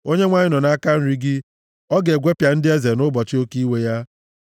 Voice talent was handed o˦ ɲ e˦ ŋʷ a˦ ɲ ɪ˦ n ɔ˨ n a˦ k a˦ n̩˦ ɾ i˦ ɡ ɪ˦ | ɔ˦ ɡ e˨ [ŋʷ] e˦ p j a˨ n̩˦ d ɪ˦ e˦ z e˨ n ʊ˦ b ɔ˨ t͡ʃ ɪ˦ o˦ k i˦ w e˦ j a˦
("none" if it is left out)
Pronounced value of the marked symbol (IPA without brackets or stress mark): ɡʷ